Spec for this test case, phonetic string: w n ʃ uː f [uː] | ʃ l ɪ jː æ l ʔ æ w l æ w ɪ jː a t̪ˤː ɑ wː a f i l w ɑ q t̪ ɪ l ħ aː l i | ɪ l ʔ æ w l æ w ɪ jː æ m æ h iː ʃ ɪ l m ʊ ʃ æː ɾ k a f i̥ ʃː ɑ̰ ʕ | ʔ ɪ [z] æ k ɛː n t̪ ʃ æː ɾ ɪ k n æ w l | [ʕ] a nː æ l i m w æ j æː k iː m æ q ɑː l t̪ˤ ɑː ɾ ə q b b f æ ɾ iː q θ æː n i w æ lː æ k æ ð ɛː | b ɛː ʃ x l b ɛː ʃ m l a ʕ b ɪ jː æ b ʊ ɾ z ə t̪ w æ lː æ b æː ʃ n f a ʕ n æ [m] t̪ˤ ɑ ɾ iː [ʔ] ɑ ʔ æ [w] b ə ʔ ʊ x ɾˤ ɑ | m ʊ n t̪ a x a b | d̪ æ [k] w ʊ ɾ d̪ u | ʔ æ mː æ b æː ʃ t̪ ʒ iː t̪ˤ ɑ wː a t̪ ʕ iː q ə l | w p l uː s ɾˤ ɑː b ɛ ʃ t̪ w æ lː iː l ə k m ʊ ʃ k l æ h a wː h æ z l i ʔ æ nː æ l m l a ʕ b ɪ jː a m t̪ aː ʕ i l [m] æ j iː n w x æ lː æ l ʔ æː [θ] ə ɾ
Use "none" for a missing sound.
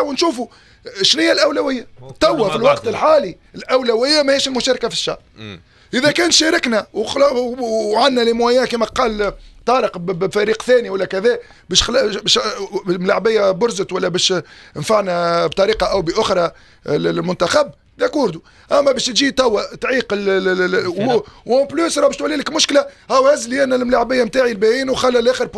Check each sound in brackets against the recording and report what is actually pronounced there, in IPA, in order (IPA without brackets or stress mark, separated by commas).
u, ð, ʕ, b, q, w, k, b, x